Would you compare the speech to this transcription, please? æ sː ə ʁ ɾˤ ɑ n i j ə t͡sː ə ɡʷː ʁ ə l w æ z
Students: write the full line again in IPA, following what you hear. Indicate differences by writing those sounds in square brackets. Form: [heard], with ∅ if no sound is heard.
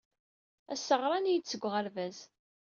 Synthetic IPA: æ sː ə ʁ ɾˤ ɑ n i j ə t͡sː ə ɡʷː ʁ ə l [v] æ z

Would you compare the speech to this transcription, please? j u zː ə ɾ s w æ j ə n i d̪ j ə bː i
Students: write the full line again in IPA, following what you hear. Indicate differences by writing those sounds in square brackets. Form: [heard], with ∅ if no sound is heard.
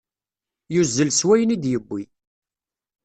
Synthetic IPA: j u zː ə [l] s w æ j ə n i d̪ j ə bː i

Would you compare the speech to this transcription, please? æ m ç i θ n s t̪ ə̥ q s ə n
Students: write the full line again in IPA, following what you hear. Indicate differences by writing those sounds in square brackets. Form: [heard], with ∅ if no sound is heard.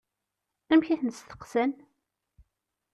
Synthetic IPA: æ m ç [æ] θ n s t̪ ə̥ q s ə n

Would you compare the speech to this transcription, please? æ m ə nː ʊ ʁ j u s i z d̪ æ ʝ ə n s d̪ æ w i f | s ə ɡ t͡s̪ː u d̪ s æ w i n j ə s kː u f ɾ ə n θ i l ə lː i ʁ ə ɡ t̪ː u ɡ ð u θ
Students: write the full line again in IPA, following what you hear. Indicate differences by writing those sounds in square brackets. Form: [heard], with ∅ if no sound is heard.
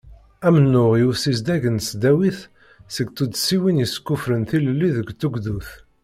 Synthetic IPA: æ m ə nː ʊ ʁ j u s i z d̪ æ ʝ ə n s d̪ æ w i [θ] | s ə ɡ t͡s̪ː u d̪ s [i] w i n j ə s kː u f ɾ ə n θ i l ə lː i [ð] ə ɡ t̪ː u ɡ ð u θ

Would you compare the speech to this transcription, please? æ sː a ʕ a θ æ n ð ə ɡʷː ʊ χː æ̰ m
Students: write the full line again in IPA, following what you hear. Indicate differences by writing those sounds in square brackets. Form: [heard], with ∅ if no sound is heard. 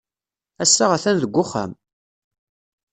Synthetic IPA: æ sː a [ʁ] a θ æ n ð ə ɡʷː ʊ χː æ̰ m

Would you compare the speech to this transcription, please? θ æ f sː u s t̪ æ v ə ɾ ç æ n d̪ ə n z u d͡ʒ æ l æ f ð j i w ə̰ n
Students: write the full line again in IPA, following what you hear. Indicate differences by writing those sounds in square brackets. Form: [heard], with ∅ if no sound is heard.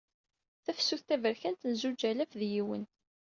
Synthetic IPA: θ æ f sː u [θ] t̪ æ v ə ɾ ç æ n [t̪] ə n z u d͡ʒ æ l æ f ð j i w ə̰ n

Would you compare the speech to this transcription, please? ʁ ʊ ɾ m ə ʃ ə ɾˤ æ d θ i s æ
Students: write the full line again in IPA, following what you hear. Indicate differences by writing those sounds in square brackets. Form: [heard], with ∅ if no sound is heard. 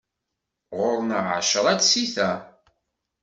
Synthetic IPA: ʁ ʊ ɾ [n] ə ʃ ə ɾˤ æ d [s] i [θ] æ

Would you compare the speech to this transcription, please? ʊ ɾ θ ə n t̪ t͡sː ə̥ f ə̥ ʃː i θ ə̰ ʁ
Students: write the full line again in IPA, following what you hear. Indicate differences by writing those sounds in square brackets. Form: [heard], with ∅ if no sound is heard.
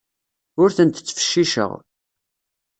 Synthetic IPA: ʊ ɾ θ ə n t̪ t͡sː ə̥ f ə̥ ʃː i [ʃ] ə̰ ʁ

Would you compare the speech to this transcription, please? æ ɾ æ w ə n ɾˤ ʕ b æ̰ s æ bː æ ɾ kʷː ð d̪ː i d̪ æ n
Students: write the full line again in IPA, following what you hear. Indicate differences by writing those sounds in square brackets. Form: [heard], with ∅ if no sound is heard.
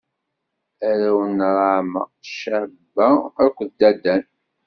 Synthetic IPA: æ ɾ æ w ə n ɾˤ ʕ [m] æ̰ [ʃ] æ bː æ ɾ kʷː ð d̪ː [æ] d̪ æ n

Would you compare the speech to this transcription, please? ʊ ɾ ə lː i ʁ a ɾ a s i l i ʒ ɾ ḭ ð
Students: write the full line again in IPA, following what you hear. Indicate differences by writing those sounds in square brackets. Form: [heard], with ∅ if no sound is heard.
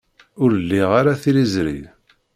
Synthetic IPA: ʊ ɾ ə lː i ʁ a ɾ a [θ] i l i [z] ɾ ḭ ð

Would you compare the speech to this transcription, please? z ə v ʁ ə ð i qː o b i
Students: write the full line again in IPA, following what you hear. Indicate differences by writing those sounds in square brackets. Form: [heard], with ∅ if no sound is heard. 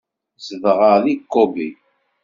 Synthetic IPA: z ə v ʁ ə ð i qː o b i

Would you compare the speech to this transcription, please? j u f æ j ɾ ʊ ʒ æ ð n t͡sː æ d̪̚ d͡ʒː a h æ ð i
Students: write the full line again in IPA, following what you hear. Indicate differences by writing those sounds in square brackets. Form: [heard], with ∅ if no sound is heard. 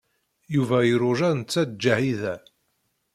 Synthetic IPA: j u [v] æ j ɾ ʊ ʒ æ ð n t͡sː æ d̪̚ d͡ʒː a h [i] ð [æ]

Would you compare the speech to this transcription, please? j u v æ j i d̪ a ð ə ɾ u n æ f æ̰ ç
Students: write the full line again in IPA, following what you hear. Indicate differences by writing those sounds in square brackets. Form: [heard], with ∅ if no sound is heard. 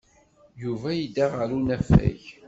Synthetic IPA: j u v æ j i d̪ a [ʁ] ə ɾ u n æ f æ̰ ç

